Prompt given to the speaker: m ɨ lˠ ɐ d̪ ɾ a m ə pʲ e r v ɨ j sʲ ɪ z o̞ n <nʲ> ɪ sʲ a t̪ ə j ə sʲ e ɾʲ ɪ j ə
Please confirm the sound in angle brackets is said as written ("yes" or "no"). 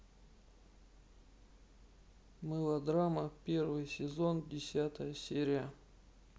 no